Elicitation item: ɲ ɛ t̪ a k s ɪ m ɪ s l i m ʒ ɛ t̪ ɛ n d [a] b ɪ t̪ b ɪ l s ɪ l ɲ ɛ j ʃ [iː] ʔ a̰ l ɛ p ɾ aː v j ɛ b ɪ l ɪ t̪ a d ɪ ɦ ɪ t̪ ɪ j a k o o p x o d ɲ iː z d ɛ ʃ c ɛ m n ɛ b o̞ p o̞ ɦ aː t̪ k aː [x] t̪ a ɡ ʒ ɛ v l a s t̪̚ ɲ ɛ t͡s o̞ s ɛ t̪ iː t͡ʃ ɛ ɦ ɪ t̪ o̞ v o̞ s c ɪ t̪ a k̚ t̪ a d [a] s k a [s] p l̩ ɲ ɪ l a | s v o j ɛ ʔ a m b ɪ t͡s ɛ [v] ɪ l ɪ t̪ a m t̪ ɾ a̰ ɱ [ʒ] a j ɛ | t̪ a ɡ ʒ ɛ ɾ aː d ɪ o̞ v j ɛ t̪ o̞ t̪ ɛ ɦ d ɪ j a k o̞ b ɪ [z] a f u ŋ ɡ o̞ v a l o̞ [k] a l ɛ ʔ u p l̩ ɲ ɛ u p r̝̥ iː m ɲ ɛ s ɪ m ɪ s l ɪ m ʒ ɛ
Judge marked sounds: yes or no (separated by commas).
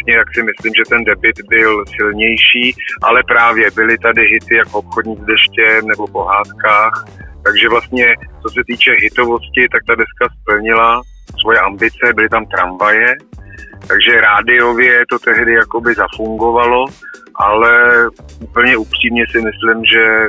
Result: no, yes, yes, no, yes, no, no, yes, no